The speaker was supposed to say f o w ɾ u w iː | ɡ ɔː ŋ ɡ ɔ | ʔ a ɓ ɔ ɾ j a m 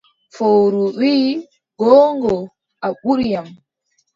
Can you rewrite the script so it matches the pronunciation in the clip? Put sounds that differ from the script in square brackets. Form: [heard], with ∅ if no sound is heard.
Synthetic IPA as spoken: f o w ɾ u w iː | ɡ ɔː ŋ ɡ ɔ | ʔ a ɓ [u] ɾ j a m